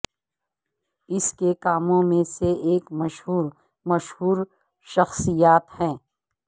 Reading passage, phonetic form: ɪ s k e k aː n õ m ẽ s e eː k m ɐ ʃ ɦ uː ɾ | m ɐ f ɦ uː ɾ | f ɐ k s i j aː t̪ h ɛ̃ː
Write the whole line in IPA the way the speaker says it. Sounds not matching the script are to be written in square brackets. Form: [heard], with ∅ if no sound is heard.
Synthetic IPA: ɪ s k e k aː [m] õ m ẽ s e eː k m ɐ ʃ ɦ uː ɾ | m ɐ [ʃ] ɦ uː ɾ | [ʃ] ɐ [x] s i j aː t̪ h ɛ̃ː